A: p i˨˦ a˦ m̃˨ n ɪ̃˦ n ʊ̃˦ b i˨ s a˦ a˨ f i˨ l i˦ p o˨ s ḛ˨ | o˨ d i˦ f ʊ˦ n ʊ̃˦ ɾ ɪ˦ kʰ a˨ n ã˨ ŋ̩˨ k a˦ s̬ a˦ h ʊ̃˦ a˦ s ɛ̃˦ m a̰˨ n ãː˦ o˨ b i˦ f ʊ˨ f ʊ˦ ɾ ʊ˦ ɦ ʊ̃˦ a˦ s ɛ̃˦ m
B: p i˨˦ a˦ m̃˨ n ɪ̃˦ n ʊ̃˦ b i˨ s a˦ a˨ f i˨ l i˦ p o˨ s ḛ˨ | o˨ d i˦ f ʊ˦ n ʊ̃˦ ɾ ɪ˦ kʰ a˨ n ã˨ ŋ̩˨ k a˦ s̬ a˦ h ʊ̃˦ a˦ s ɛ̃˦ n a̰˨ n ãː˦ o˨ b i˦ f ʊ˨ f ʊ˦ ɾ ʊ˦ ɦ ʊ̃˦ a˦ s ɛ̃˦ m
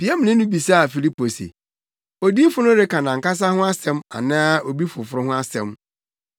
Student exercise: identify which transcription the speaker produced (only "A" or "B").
A